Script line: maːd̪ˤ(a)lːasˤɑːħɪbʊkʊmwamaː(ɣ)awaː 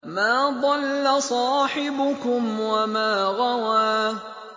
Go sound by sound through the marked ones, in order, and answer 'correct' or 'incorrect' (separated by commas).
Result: incorrect, correct